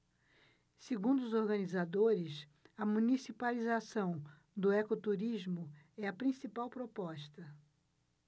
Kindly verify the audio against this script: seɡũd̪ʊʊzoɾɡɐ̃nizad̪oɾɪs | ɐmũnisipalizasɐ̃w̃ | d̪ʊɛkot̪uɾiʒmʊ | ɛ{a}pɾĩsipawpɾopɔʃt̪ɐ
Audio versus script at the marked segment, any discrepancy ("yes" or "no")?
yes